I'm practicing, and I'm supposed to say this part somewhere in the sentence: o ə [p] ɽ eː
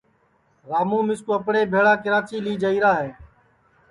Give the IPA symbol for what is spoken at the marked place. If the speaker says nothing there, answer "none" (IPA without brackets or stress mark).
p